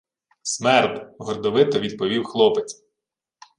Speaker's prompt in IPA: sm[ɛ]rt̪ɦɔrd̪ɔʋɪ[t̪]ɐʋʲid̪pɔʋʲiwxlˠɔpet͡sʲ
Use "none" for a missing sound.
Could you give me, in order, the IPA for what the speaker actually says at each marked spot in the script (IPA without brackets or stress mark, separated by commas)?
ɛ, t̪